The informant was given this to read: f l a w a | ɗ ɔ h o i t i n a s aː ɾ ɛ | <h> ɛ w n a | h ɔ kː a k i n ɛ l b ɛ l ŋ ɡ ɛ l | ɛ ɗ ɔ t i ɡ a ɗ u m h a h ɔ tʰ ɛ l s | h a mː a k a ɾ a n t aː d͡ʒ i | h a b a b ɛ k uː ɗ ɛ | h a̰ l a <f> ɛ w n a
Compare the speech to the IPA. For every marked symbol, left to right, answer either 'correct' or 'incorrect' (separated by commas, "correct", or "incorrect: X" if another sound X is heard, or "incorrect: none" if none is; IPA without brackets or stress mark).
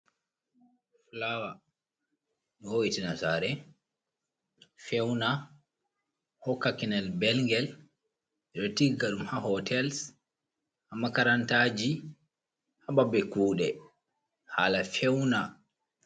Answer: incorrect: f, correct